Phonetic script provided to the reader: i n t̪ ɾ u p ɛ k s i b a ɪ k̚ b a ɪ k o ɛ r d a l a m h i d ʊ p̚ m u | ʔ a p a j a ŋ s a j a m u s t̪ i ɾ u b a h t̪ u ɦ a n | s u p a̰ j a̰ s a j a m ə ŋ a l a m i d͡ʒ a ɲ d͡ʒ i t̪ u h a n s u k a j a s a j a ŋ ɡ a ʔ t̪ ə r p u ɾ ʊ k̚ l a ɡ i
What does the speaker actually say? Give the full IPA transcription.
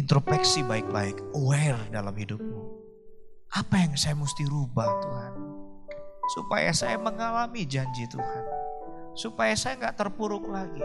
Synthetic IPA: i n t̪ ɾ o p ɛ k s i b a ɪ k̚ b a ɪ k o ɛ r d a l a m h i d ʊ p̚ m u | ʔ a p a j a ŋ s a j a m u s t̪ i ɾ u b a h t̪ u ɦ a n | s u p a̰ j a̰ s a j a m ə ŋ a l a m i d͡ʒ a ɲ d͡ʒ i t̪ u h a n s u p a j a s a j a ŋ ɡ a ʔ t̪ ə r p u ɾ ʊ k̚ l a ɡ i